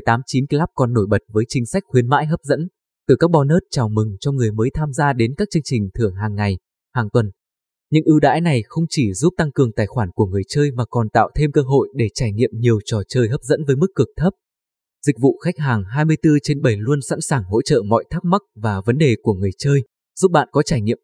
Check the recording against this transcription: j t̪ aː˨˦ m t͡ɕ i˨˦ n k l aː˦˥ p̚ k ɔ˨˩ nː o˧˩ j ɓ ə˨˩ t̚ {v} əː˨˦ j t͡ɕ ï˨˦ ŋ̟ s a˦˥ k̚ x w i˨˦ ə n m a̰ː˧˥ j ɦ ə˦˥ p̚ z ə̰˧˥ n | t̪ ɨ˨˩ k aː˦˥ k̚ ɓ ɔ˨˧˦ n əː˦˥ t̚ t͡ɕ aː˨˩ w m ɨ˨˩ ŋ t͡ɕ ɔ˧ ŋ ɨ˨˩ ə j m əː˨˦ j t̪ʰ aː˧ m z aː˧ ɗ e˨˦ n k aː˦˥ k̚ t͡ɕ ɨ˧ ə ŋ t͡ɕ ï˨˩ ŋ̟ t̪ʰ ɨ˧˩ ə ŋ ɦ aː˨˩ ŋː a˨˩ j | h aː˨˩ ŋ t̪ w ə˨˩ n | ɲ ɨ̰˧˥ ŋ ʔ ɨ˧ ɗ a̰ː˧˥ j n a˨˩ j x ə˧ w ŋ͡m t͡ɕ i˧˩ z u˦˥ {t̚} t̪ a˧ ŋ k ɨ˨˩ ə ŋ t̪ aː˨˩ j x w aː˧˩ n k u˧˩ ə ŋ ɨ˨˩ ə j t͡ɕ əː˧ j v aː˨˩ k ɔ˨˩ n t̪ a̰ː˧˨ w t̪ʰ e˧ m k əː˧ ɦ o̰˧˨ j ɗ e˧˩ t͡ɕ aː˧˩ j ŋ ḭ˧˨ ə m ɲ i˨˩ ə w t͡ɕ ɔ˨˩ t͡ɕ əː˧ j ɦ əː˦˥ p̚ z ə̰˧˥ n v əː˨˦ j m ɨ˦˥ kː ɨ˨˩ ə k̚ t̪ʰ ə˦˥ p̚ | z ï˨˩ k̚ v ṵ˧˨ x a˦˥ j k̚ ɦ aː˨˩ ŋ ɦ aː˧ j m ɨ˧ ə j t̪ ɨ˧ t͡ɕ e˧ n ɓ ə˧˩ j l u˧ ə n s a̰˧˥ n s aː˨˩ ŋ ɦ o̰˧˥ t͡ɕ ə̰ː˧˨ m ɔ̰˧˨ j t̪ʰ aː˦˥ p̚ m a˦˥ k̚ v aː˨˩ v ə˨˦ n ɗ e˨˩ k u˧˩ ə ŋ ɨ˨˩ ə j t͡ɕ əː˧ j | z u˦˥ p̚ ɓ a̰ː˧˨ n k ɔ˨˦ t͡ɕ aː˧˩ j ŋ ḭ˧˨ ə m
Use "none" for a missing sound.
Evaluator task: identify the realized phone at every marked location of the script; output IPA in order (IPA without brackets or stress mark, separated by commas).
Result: v, p̚